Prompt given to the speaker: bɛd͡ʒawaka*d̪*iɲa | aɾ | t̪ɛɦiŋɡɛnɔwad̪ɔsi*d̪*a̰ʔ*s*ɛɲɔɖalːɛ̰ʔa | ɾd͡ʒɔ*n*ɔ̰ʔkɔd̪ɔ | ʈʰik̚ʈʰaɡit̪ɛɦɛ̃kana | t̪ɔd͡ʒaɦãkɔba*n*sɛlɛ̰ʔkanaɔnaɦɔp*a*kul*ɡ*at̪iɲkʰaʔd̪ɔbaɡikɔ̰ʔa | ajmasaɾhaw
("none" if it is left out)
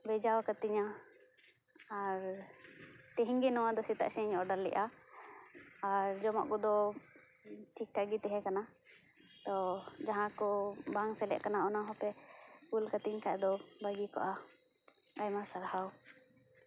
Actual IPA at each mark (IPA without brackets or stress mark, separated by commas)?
t̪, t̪, s, m, ŋ, ɛ, k